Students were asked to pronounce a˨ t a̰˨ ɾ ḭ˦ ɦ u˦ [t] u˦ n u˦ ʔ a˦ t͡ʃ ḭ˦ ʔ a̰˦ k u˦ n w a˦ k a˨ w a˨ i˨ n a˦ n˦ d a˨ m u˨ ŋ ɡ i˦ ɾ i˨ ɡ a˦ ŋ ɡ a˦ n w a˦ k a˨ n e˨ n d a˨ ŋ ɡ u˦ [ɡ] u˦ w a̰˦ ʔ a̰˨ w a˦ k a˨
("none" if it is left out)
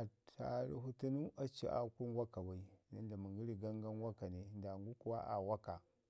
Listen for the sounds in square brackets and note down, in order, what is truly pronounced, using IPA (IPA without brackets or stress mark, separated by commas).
t, k